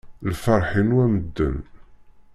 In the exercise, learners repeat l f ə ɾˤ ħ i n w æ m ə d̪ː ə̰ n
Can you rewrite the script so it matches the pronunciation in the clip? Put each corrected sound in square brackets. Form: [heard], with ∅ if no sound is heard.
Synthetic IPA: l f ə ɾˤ ħ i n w æ m ə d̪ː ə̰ n